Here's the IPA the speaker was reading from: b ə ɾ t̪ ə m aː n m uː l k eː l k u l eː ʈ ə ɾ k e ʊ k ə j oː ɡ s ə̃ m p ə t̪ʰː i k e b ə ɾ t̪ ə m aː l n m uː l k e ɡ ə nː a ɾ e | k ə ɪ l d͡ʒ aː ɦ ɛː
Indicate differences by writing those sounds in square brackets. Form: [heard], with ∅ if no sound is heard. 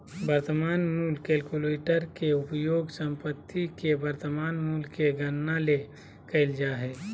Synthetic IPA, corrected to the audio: b ə ɾ t̪ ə m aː n m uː l k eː l k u l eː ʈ ə ɾ k e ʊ [p] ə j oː ɡ s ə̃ m p ə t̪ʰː i k e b ə ɾ t̪ ə m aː [∅] n m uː l k e ɡ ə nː a [l] e | k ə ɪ l d͡ʒ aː ɦ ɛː